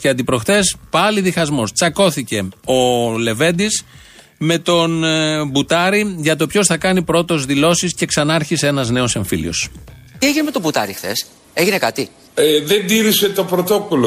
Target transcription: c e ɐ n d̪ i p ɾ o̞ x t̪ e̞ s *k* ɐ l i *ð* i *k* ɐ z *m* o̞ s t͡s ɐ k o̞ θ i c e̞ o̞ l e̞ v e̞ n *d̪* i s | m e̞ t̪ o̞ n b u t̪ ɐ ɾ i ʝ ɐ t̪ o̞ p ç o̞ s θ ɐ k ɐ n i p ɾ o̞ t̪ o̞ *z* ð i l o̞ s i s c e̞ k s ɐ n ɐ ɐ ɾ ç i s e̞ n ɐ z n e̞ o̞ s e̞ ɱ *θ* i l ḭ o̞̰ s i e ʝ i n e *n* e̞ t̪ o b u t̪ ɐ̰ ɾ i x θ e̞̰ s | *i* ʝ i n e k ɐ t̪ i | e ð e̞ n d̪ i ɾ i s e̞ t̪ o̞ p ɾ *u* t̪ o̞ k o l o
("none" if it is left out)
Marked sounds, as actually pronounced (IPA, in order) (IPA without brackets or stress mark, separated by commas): p, ð, x, m, d̪, z, f, m, e, o